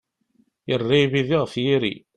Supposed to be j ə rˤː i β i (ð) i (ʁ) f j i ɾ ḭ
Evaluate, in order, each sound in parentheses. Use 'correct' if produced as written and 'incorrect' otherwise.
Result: correct, correct

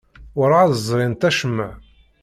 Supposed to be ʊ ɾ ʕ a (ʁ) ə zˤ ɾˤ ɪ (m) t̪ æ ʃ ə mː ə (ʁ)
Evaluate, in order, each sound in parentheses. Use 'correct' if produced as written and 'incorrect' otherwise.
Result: incorrect, incorrect, incorrect

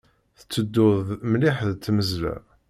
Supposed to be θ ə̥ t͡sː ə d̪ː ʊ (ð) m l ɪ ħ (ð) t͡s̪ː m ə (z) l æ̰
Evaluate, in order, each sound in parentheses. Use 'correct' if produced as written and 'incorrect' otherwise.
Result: correct, correct, correct

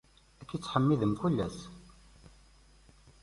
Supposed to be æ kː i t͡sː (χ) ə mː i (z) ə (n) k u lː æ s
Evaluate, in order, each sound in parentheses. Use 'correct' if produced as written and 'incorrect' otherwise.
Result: incorrect, incorrect, incorrect

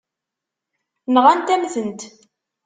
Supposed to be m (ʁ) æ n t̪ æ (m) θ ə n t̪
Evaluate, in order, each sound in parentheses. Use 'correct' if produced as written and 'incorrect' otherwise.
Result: correct, correct

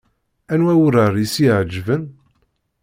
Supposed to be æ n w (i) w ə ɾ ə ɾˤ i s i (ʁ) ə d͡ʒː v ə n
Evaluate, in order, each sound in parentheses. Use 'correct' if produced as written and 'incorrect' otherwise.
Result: incorrect, incorrect

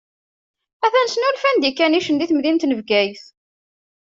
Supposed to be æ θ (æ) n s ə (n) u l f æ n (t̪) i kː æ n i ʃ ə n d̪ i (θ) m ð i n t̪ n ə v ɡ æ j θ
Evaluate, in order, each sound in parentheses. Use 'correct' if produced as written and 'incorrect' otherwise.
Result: correct, correct, incorrect, correct

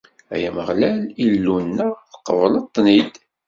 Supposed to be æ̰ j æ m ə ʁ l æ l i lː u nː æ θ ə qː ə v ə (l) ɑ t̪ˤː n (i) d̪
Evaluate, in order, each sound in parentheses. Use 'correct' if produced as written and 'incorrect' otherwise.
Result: correct, correct

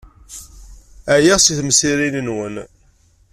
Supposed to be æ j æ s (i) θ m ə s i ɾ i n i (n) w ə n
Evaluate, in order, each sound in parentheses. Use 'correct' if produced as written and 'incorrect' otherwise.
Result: correct, correct

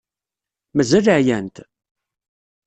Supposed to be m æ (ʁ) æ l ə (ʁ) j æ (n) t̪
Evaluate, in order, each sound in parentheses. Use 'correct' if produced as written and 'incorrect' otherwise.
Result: incorrect, incorrect, correct

